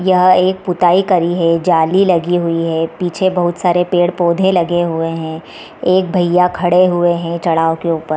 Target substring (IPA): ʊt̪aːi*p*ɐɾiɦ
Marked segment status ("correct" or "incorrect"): incorrect